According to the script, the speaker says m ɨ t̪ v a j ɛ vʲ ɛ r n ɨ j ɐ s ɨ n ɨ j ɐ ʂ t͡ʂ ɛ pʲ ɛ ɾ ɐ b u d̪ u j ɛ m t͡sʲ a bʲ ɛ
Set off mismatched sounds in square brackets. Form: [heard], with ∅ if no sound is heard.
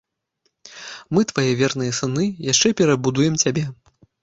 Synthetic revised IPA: m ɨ t̪ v a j ɛ vʲ ɛ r n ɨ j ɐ s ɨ n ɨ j [a] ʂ t͡ʂ ɛ pʲ ɛ ɾ ɐ b u d̪ u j ɛ m t͡sʲ a bʲ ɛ